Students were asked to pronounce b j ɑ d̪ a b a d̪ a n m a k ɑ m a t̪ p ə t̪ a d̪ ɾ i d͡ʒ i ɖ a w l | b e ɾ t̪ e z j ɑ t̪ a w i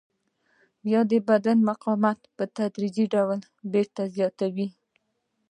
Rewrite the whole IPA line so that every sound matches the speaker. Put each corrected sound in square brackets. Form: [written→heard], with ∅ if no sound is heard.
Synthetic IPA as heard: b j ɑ d̪ [a→ə] b a d̪ a n m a [k→q] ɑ m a t̪ p ə t̪ a d̪ ɾ i d͡ʒ i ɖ a w l | b e ɾ t̪ [e→a] z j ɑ t̪ a w i